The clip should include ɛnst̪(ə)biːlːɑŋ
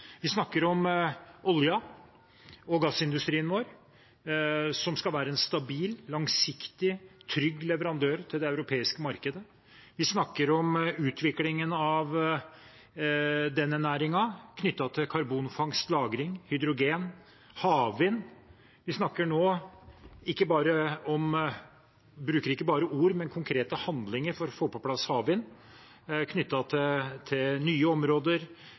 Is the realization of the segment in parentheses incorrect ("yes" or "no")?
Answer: yes